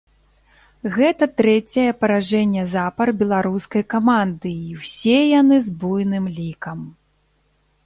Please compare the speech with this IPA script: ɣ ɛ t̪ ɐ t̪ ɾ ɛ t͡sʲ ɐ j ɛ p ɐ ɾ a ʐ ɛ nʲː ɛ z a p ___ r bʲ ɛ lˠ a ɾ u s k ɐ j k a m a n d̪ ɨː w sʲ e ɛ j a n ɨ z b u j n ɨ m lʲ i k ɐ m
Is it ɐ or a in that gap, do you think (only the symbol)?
ɐ